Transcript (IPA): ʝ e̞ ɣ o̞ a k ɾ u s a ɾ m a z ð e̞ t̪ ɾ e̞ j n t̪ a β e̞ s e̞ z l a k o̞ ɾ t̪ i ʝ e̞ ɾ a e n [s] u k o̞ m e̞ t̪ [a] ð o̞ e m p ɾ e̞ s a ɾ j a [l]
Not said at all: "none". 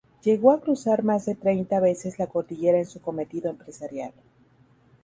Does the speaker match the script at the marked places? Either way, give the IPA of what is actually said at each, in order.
s, i, l

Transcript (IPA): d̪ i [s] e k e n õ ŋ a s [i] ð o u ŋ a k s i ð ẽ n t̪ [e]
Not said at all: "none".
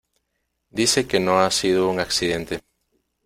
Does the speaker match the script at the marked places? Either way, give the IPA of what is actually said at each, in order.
s, i, e

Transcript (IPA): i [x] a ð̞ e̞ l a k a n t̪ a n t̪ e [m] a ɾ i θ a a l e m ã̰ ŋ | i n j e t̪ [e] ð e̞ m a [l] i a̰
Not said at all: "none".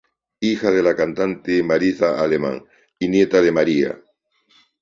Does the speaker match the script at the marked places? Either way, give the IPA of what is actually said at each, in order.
x, m, a, ɾ

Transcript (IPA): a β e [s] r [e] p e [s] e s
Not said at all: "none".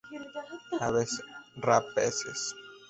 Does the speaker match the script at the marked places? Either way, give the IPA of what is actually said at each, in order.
s, a, s

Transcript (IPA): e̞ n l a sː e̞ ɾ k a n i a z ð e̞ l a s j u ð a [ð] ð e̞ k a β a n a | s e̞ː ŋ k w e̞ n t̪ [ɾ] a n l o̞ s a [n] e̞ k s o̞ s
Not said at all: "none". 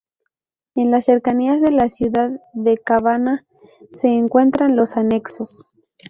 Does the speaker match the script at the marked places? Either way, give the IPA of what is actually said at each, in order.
ð, ɾ, n

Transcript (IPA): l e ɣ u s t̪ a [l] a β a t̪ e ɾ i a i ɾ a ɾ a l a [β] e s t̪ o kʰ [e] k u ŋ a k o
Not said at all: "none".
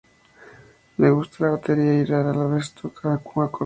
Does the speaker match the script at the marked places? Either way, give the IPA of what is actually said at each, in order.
l, β, a

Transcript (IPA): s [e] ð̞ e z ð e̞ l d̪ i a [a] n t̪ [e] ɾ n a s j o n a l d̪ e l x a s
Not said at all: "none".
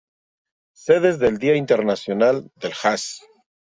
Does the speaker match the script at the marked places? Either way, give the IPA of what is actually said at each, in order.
e, i, e

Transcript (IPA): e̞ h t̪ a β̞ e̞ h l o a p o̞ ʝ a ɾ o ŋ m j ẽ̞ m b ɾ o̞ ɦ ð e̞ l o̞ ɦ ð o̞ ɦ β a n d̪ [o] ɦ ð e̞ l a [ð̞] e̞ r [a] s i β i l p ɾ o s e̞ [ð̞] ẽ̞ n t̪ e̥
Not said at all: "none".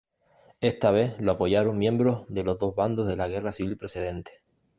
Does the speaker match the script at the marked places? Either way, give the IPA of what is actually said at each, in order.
o, ɣ̞, a, ð̞

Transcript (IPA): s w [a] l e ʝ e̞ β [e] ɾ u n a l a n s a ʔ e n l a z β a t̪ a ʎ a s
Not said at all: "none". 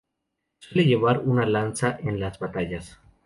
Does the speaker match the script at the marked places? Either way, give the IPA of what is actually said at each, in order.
e, a

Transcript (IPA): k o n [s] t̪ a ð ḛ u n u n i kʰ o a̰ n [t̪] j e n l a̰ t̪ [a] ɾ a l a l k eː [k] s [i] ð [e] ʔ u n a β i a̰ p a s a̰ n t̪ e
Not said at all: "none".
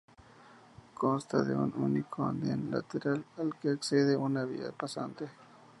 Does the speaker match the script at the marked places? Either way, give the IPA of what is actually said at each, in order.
s, d̪, e, k, e, e

